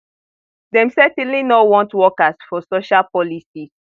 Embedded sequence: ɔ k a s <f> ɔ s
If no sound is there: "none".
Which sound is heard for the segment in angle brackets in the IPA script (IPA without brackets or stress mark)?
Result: f